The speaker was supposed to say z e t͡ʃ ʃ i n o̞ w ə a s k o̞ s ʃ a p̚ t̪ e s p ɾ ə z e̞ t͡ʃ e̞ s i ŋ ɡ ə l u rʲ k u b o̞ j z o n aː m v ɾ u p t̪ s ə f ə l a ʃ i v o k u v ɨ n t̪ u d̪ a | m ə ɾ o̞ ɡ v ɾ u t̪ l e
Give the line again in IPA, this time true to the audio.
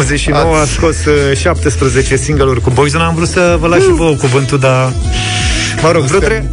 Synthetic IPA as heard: z e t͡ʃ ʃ i n o̞ w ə a s k o̞ s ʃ a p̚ t̪ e s p ɾ ə z e̞ t͡ʃ e̞ s i ŋ ɡ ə l u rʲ k u b o̞ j z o n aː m v ɾ u t̪ s ə v ə l a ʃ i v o k u v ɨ n t̪ u d̪ a | m ə ɾ o̞ ɡ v ɾ u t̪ ɾ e